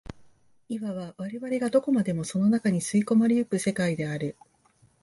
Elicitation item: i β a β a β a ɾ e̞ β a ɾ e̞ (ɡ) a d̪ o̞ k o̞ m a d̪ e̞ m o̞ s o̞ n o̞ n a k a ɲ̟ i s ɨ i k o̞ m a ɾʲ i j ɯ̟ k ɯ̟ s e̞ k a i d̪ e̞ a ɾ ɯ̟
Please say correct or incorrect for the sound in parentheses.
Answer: correct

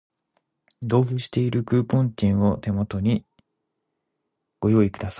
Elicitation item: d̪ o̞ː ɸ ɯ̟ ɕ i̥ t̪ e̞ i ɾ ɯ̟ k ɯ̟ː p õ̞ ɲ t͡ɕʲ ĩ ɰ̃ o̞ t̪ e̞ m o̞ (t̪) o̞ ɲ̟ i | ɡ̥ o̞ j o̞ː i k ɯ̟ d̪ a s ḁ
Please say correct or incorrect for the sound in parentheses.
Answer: correct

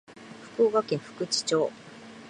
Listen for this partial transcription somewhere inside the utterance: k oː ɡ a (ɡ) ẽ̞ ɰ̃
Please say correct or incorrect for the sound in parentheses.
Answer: incorrect: k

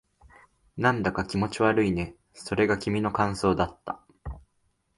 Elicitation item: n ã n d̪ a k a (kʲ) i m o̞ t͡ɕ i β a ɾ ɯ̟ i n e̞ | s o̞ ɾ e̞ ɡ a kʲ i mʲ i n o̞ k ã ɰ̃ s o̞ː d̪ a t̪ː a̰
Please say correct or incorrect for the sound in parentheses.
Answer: correct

